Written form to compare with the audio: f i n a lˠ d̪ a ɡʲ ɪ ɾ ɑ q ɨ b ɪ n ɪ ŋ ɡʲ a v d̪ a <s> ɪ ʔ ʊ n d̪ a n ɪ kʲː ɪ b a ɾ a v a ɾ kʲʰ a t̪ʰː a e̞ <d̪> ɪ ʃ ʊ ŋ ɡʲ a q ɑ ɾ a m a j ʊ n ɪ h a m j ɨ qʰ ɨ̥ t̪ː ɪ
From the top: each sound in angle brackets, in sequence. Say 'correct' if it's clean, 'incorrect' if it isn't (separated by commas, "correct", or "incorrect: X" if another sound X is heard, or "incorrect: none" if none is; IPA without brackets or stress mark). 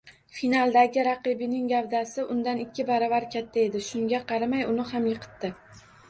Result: correct, correct